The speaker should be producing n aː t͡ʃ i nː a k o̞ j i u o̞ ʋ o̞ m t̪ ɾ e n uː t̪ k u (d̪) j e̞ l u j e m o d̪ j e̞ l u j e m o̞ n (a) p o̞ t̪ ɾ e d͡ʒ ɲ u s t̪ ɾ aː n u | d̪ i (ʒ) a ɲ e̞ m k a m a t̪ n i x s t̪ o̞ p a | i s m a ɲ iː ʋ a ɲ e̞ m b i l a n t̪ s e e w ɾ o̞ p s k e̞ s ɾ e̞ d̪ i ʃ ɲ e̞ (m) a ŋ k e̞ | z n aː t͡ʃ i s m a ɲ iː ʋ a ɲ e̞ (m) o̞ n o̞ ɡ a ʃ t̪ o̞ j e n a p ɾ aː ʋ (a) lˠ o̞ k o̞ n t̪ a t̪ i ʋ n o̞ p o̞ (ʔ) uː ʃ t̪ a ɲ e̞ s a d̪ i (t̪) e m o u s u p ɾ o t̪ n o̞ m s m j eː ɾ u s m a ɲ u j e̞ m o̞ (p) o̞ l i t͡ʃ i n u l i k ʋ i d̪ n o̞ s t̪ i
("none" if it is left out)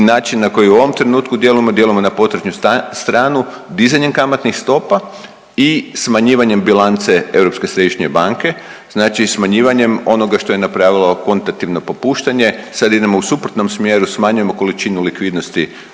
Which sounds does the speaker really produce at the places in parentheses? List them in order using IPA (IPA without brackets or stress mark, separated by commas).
d̪, a, z, b, m, i, p, d̪, k